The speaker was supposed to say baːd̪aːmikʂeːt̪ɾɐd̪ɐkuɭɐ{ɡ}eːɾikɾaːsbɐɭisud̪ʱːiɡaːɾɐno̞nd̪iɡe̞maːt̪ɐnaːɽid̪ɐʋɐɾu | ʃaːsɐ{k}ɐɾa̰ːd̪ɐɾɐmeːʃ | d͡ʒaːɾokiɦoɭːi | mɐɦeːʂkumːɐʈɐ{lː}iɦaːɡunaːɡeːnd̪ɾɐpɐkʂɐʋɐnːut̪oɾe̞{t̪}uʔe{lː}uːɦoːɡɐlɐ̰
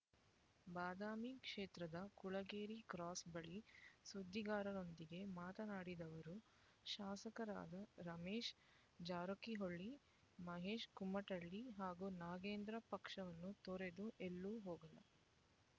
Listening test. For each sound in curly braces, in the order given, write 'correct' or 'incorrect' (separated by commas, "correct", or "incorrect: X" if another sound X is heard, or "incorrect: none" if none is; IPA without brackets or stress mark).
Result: correct, correct, incorrect: ɭː, incorrect: d̪, correct